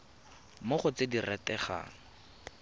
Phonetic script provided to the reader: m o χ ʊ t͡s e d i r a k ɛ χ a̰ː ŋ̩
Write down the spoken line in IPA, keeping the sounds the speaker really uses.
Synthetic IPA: m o χ ʊ t͡s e d i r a t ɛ χ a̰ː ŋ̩